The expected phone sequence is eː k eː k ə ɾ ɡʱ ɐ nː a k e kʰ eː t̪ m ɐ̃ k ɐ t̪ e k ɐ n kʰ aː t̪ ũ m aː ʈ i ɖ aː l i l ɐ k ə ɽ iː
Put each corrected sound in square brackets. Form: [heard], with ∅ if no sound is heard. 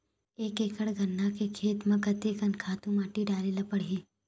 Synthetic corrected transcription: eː k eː k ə [ɽ] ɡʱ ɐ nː a k e kʰ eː t̪ m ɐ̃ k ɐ t̪ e k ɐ n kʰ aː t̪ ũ m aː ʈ i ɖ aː l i l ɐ [p] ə ɽ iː